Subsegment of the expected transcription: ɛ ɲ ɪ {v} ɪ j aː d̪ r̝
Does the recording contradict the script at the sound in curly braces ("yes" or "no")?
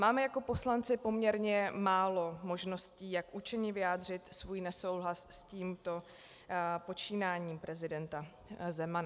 no